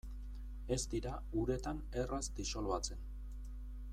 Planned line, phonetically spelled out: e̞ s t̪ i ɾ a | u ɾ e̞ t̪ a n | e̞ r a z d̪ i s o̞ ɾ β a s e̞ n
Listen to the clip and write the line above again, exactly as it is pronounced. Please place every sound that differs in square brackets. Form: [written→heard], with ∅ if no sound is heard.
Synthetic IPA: e̞ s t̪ i ɾ a | u ɾ e̞ t̪ a n | e̞ r a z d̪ i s o̞ [ɾ→l] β a [s→t͡s] e̞ n